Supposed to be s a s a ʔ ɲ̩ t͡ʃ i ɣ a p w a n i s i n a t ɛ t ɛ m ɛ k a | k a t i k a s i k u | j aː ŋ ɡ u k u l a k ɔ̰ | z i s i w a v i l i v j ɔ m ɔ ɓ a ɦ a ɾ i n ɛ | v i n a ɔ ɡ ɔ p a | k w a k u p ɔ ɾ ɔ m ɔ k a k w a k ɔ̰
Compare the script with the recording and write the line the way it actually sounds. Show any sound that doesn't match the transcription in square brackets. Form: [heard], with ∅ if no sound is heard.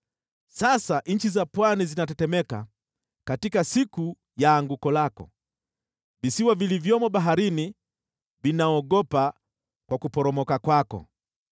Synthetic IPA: s a s a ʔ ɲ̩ t͡ʃ i [z] a p w a n i [z] i n a t ɛ t ɛ m ɛ k a | k a t i k a s i k u | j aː ŋ ɡ u k [ɔ] l a k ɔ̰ | [v] i s i w a v i l i v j ɔ m ɔ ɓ a ɦ a ɾ i n [i] | v i n a ɔ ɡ ɔ p a | k w a k u p ɔ ɾ ɔ m ɔ k a k w a k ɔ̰